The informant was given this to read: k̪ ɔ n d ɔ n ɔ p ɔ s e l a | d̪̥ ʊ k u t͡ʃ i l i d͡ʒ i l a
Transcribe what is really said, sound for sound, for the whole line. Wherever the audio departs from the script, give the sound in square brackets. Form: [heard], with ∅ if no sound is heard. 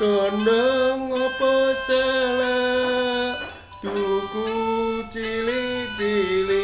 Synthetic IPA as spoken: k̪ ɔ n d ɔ [ŋ] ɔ p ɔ s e l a | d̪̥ [u] k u t͡ʃ i l i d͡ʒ i l [i]